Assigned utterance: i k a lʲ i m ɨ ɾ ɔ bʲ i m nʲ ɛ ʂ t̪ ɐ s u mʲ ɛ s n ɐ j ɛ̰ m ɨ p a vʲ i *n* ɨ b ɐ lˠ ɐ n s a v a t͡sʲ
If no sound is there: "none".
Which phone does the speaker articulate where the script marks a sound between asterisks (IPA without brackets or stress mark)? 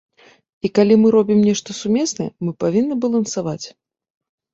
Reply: nː